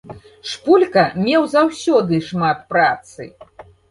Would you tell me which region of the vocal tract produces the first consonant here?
retroflex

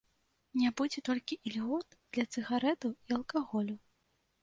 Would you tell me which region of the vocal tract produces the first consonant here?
tongue tip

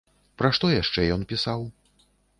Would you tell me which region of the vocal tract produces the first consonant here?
lips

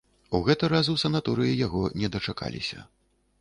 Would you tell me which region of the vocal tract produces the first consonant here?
velum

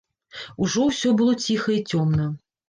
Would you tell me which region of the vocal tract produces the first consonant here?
retroflex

